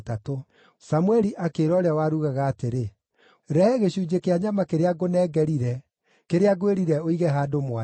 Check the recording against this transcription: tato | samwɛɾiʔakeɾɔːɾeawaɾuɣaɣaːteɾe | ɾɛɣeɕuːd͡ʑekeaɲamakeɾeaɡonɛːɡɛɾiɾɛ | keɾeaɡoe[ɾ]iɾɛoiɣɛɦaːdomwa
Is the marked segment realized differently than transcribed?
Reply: no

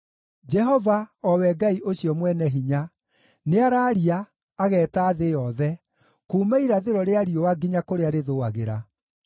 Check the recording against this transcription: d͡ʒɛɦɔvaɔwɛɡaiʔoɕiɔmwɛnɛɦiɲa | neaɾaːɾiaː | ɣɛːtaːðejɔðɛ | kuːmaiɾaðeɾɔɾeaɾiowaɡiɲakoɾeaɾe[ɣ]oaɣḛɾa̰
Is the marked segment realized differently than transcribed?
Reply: yes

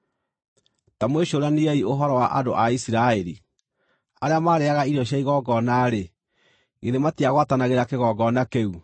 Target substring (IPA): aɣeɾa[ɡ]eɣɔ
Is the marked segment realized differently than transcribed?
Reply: yes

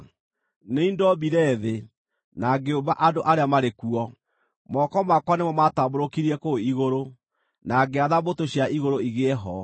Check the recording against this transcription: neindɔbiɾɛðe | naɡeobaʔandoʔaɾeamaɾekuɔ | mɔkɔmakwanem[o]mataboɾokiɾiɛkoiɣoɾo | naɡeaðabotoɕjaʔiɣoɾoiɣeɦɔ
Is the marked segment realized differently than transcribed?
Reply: yes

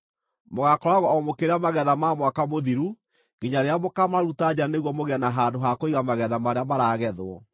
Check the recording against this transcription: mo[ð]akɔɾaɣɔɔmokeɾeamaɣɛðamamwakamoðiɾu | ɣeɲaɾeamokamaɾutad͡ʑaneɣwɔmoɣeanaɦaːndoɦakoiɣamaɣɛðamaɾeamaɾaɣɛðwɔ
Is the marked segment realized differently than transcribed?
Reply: yes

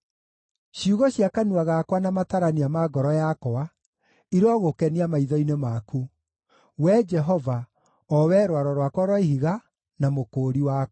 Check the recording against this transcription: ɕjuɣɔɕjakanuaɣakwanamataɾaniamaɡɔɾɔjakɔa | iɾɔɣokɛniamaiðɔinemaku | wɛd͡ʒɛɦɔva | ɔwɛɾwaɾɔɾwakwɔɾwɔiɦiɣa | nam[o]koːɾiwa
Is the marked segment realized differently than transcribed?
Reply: no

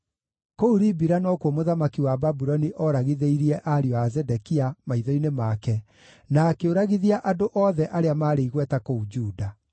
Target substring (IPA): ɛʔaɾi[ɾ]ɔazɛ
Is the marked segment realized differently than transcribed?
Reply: yes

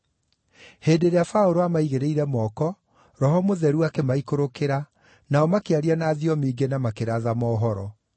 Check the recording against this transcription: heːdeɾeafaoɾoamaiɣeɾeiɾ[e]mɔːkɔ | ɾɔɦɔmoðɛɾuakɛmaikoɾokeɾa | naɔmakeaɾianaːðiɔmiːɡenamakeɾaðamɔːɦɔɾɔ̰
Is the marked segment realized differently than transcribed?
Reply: yes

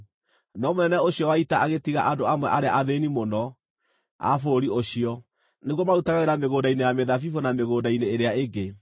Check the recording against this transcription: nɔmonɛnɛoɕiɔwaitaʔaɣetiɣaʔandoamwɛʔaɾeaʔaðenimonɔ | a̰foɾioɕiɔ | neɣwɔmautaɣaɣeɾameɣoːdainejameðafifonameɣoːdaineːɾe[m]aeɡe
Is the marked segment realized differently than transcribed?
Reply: yes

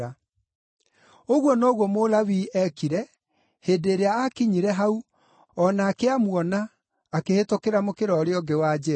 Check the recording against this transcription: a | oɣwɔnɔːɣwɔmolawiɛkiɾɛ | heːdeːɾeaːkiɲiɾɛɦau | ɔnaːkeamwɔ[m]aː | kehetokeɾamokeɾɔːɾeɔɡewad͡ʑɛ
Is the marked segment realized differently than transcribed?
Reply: yes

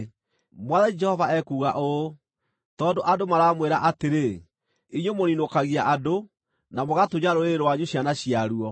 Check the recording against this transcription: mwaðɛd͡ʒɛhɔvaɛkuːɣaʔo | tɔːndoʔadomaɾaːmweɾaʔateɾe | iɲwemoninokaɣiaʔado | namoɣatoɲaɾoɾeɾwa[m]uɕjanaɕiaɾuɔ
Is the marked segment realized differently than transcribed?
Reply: yes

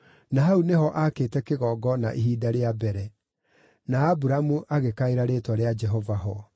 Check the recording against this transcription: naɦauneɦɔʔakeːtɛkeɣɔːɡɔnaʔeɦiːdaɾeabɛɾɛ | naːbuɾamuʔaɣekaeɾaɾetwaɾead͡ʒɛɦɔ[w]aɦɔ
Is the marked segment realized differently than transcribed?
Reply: yes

